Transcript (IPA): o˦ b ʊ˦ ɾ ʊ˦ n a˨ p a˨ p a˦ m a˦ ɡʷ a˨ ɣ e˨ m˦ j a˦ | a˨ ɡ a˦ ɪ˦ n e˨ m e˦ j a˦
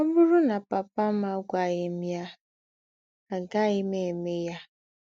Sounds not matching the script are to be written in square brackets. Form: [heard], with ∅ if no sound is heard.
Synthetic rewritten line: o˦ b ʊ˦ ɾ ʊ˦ n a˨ p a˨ p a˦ m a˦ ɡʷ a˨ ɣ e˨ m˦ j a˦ | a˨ ɡ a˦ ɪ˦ [m] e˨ m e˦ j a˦